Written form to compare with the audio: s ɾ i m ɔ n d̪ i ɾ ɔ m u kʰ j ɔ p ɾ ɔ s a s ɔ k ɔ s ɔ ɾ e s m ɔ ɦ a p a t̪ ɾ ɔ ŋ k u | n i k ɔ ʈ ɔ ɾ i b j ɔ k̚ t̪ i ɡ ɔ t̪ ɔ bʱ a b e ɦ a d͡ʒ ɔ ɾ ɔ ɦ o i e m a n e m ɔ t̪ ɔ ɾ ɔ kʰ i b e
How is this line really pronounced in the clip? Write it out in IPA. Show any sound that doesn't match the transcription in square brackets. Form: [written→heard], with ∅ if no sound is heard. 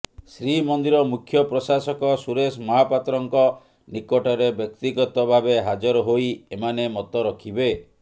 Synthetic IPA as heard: s ɾ i m ɔ n d̪ i ɾ ɔ m u kʰ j ɔ p ɾ ɔ s a s ɔ k ɔ s [ɔ→u] ɾ e s m ɔ ɦ a p a t̪ ɾ ɔ ŋ k [u→ɔ] | n i k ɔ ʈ ɔ ɾ [i→e] b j ɔ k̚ t̪ i ɡ ɔ t̪ ɔ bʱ a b e ɦ a d͡ʒ ɔ ɾ ɔ ɦ o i e m a n e m ɔ t̪ ɔ ɾ ɔ kʰ i b e